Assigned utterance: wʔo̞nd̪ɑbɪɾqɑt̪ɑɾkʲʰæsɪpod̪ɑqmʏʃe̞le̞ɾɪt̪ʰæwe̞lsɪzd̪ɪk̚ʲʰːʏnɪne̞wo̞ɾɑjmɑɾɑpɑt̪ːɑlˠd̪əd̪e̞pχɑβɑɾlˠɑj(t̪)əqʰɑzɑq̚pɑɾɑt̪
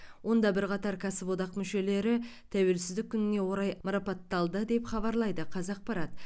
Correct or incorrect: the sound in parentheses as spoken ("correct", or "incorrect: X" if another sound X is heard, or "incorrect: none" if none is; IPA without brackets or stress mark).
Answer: incorrect: d̪